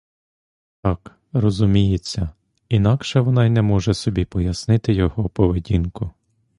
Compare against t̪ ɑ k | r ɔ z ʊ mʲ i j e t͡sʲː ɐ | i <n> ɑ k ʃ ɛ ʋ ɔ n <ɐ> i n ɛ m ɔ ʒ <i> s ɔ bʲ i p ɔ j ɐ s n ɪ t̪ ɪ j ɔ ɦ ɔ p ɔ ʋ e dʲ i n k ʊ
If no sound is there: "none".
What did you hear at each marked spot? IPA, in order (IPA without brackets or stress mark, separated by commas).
n, ɑ, ɛ